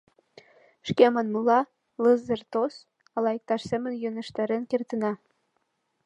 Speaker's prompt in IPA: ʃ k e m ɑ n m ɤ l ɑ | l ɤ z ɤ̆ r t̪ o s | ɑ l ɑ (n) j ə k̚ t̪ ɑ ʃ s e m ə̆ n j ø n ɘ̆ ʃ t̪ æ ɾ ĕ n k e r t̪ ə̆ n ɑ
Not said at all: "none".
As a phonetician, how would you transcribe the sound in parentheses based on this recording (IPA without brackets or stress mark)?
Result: none